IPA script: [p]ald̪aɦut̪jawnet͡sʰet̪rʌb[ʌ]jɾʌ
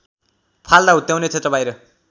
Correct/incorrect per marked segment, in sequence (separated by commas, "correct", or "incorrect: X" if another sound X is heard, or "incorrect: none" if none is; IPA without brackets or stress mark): incorrect: pʰ, incorrect: a